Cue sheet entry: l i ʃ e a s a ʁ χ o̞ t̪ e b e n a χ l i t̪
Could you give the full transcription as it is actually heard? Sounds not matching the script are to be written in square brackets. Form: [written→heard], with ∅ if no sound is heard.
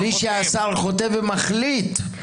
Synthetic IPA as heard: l i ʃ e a s a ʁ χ o̞ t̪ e [b→v] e [n→m] a χ l i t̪